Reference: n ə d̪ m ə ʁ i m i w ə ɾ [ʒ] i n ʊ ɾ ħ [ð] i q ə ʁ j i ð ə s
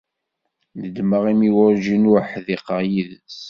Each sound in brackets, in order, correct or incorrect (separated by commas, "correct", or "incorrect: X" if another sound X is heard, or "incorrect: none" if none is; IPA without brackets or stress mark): correct, correct